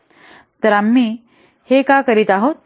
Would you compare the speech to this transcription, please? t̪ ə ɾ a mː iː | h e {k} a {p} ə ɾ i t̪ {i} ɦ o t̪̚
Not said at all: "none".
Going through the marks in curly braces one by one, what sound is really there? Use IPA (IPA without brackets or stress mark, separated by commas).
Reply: k, k, a